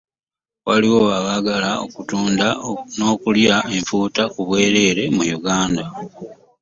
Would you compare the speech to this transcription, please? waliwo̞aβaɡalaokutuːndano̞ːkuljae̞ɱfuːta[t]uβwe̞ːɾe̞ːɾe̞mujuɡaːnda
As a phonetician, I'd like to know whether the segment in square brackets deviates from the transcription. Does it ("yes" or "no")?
yes